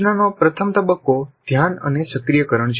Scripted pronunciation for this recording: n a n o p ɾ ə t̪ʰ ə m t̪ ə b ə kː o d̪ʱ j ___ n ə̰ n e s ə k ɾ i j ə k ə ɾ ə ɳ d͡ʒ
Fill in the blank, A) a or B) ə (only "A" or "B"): A